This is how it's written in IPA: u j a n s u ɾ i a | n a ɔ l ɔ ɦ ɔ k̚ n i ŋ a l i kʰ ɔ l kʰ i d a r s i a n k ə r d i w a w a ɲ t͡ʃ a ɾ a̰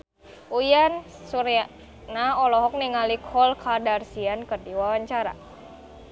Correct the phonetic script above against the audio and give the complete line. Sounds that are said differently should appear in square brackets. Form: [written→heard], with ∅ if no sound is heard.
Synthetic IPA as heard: u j a n s u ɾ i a | n a ɔ l ɔ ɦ ɔ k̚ n i ŋ a l i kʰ ɔ l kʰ [i→a] d a r s i a n k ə r d i w a w a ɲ t͡ʃ a ɾ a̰